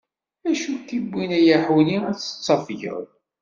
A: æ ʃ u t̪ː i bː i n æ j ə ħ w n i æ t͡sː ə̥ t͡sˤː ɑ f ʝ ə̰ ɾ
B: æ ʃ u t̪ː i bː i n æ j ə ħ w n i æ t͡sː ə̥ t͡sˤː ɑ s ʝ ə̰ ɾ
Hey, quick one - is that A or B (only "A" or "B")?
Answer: A